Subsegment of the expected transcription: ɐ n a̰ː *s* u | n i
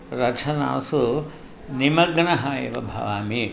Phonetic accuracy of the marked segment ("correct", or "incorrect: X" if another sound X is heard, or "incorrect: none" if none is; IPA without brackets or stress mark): correct